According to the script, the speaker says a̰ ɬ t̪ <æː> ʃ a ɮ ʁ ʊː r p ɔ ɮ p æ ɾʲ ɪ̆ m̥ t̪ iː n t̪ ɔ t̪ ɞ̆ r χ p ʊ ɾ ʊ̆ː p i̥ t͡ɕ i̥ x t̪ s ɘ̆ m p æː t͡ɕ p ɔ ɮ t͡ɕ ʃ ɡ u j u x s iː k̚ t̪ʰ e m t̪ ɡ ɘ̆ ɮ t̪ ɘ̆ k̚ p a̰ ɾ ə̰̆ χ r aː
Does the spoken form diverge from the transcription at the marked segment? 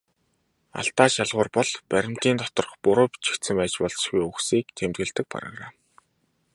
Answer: yes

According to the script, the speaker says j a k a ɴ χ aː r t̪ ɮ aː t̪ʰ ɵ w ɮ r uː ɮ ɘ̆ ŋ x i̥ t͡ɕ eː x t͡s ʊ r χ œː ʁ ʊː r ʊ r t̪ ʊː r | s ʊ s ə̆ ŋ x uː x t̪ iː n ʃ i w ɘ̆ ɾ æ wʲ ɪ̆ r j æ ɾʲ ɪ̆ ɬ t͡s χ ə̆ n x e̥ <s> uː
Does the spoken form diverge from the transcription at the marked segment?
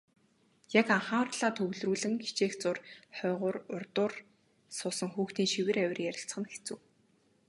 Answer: yes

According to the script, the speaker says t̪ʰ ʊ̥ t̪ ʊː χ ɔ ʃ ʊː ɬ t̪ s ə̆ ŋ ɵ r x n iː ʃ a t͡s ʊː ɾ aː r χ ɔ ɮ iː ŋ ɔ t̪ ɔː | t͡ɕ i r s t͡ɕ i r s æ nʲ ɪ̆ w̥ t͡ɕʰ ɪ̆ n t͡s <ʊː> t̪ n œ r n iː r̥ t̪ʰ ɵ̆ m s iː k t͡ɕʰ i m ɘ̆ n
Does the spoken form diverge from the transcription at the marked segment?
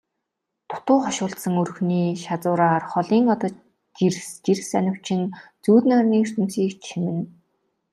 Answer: yes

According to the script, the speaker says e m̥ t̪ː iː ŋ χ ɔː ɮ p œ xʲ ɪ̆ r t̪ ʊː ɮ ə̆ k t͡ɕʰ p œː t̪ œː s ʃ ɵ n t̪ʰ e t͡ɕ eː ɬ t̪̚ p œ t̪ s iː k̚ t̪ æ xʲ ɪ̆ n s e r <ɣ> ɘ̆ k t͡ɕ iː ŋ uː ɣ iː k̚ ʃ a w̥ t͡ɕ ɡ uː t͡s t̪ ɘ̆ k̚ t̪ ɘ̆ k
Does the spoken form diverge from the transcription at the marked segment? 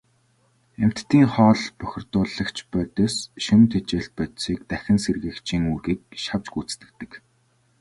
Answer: no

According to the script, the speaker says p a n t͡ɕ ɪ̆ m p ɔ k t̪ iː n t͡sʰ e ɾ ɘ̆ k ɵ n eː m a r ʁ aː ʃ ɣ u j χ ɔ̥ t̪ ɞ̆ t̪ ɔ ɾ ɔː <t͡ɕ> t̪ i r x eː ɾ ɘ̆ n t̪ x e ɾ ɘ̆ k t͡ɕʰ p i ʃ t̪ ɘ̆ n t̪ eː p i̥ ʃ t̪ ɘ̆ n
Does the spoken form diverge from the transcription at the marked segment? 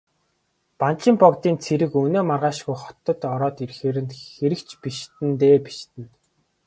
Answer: yes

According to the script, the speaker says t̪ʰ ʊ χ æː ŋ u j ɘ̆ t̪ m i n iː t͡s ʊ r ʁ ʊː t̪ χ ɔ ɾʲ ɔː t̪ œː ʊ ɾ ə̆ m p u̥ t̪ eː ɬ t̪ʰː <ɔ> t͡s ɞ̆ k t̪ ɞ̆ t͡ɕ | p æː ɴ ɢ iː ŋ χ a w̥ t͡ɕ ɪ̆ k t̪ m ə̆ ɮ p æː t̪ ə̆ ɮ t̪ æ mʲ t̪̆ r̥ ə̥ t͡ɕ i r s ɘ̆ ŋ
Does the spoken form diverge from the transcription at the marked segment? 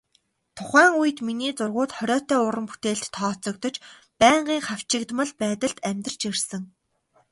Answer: yes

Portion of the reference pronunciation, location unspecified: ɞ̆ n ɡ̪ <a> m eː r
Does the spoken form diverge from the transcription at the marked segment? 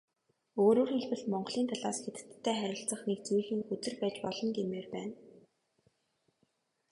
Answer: yes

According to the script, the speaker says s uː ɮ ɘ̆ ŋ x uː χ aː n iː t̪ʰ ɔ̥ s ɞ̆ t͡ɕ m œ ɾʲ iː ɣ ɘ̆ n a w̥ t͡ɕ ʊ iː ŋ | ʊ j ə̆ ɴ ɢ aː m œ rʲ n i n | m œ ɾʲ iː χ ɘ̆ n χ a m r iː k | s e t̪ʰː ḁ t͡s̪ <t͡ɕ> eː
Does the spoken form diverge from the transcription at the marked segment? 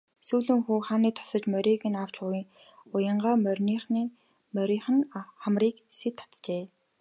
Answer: no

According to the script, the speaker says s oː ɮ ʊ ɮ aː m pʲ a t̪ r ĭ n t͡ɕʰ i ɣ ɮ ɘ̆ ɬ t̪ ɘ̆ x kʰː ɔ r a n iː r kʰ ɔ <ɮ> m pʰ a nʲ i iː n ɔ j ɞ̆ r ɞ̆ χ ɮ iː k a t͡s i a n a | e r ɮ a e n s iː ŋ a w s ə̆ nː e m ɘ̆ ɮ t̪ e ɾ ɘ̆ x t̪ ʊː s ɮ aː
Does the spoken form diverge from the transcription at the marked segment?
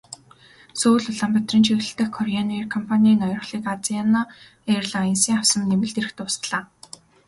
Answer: yes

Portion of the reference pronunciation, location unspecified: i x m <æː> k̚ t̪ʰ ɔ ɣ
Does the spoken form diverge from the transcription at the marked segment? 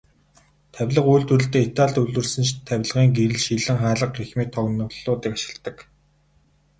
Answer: yes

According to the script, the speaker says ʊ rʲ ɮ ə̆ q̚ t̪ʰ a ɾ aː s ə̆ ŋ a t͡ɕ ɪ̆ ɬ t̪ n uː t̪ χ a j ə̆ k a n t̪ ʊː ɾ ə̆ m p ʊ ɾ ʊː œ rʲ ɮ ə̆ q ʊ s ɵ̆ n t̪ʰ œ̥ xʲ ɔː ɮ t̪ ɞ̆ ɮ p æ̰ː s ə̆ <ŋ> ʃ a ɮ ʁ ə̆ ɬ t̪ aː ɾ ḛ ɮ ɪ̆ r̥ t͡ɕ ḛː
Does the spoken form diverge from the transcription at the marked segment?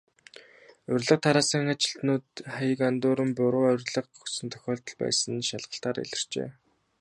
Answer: yes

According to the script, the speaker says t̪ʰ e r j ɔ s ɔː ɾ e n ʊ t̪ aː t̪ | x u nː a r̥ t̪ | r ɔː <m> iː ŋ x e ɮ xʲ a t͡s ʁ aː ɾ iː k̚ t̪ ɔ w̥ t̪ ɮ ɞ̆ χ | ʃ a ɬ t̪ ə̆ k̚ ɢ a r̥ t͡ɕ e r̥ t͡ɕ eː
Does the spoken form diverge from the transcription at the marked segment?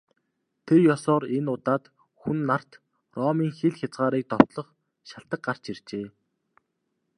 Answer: no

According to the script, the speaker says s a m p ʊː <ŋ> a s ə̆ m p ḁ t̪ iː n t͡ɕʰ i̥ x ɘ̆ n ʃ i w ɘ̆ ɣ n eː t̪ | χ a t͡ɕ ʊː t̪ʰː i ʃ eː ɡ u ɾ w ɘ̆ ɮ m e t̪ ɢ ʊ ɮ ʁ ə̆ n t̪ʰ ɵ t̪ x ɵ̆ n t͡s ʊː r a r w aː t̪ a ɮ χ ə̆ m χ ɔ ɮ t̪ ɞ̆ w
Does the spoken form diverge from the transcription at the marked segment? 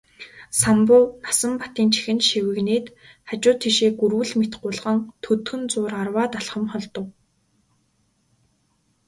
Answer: yes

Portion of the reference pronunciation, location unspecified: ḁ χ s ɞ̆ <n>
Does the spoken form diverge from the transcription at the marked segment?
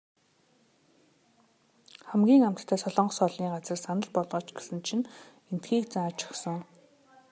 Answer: yes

